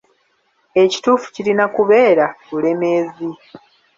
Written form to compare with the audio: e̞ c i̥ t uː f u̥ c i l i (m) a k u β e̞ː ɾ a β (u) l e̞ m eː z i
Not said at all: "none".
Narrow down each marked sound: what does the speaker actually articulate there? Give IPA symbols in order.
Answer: n, u

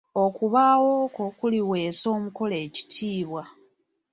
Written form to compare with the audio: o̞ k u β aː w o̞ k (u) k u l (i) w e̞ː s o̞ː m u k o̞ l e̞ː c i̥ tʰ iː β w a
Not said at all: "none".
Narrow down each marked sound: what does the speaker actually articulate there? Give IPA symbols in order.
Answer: o, i

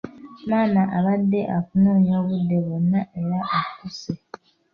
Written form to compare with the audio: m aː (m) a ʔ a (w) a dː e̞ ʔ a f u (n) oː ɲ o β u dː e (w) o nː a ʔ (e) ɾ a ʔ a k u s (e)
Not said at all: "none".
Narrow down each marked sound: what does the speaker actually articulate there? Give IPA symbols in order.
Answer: n, β, n, β, e, e

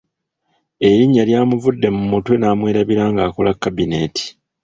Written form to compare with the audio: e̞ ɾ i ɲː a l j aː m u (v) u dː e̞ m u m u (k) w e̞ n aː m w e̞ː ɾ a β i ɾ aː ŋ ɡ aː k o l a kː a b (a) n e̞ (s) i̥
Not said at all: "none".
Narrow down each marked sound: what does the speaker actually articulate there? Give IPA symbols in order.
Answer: v, t, i, t

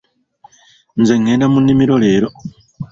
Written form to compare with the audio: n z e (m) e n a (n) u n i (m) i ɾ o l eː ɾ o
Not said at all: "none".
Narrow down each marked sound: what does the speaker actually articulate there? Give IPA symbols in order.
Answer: ŋ, m, m

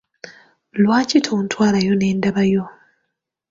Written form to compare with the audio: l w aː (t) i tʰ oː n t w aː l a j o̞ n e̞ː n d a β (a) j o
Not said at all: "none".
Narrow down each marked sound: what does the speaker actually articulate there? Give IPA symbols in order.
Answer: c, a

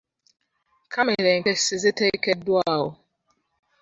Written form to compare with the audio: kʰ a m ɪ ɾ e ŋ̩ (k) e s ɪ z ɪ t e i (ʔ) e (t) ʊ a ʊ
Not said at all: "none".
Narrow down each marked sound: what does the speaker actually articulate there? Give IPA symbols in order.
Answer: k, k, d

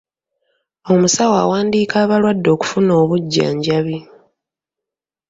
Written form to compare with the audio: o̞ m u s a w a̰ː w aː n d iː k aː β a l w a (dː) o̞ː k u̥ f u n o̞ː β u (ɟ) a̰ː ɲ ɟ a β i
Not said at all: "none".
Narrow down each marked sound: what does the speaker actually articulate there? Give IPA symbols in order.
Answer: dː, ɟː

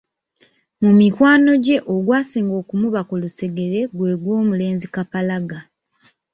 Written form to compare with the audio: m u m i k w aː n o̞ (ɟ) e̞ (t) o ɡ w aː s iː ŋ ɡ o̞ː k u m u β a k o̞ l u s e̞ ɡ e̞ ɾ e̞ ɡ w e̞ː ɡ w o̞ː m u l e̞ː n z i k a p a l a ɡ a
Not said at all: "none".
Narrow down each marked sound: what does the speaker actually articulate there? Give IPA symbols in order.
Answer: ɟ, ʔ

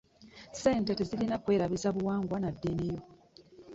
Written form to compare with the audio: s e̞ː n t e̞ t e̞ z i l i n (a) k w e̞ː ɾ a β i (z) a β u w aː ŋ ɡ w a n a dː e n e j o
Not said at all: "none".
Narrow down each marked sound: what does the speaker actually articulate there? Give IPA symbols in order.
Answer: a, z

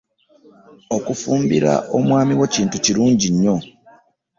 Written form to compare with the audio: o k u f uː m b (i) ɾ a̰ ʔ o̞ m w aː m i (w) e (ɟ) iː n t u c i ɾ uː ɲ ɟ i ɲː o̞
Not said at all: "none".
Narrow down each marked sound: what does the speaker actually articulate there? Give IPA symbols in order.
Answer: i, w, c

